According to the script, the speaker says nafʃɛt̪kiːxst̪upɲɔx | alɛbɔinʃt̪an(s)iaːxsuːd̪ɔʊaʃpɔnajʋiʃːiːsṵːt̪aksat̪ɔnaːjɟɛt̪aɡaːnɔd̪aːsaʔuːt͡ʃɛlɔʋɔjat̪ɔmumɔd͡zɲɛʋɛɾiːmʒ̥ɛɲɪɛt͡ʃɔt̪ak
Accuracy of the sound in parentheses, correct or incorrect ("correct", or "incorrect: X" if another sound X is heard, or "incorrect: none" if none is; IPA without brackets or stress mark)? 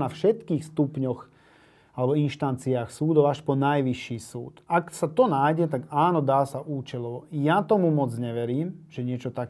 incorrect: t͡s